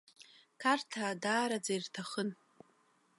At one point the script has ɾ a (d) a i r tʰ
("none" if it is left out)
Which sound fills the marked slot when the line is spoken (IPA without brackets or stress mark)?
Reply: d͡z